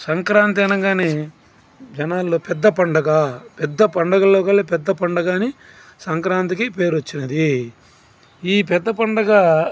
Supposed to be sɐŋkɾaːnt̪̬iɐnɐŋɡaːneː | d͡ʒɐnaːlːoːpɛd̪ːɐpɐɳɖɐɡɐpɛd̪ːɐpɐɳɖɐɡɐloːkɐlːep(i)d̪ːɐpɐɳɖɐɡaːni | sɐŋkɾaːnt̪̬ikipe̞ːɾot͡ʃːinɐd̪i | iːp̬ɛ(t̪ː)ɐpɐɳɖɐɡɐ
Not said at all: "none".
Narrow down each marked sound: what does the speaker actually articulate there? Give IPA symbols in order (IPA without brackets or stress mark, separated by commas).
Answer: ɛ, d̪ː